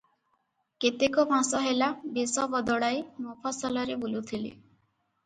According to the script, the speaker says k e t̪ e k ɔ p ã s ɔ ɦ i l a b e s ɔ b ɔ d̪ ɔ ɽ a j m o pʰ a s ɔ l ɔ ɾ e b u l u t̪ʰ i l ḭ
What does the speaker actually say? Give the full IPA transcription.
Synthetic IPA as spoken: k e t̪ e k ɔ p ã s ɔ ɦ e l a b e s ɔ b ɔ d̪ ɔ ɽ a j m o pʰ a s ɔ l ɔ ɾ e b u l u t̪ʰ i l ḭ